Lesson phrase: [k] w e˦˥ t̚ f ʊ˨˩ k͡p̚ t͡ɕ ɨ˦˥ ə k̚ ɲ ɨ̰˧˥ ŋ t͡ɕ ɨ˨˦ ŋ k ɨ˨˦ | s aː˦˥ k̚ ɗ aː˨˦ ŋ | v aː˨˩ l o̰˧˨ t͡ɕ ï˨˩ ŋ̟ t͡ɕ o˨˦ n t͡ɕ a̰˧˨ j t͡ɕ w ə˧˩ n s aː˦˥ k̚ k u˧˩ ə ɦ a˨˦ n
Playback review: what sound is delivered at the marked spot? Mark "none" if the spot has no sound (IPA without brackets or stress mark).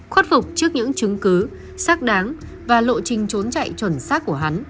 x